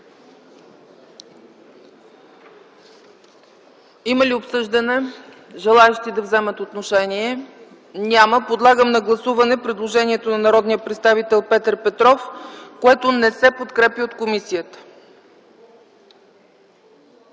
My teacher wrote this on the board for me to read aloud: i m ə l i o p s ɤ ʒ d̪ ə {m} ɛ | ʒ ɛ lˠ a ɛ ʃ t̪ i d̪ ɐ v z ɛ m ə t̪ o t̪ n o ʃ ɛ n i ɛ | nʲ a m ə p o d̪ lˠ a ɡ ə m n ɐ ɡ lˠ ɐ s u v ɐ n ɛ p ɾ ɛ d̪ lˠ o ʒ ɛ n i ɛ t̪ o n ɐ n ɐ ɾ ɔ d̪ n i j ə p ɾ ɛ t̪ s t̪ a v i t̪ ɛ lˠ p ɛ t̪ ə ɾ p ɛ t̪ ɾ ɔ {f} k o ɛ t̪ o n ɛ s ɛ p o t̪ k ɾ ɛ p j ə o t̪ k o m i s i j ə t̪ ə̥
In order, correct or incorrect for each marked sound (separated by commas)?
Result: incorrect, correct